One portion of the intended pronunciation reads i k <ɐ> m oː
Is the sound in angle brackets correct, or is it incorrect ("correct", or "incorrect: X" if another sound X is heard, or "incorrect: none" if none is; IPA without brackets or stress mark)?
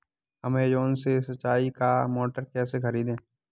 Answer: incorrect: a